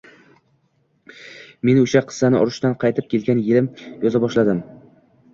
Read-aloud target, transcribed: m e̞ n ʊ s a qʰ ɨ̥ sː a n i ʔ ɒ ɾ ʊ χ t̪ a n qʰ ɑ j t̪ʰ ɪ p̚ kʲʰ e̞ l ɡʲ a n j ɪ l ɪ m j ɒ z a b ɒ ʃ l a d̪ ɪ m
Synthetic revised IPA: m e̞ n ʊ ʃ a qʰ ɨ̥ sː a n ɪ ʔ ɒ ɾ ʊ ʃ t̪ a n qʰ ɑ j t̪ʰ ɪ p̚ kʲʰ e̞ l ɡʲ a n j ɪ l ɪ m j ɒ z a b ɒ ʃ l a d̪ ɪ m